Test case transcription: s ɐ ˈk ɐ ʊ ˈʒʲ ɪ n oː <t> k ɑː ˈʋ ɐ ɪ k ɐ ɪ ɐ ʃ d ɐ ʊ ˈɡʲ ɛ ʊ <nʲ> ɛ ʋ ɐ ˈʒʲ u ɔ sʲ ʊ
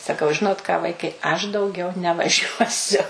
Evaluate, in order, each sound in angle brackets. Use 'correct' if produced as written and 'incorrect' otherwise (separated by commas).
correct, correct